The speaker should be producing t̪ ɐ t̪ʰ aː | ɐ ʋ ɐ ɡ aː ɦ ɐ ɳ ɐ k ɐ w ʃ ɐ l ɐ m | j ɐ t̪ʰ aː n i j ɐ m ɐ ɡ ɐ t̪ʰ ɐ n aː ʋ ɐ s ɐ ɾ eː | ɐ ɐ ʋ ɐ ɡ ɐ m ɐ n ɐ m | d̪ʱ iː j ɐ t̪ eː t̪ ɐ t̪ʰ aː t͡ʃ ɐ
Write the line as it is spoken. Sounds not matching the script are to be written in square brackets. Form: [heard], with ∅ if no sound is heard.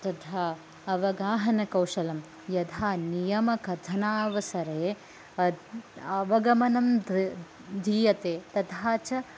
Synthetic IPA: t̪ ɐ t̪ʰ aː | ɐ ʋ ɐ ɡ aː ɦ ɐ [n] ɐ k ɐ w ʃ ɐ l ɐ m | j ɐ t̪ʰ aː n i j ɐ m ɐ [k] ɐ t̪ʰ ɐ n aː ʋ ɐ s ɐ ɾ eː | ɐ ɐ ʋ ɐ ɡ ɐ m ɐ n ɐ m | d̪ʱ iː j ɐ t̪ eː t̪ ɐ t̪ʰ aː t͡ʃ ɐ